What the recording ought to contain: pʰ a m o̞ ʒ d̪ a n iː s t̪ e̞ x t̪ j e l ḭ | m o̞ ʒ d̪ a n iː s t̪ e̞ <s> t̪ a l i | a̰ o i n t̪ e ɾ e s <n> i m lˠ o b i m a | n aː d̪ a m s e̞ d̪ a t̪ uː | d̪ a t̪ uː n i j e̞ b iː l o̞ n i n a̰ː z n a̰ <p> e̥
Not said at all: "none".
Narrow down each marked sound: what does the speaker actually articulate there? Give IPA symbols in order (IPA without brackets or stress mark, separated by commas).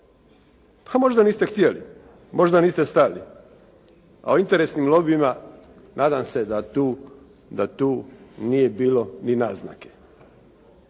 s, n, k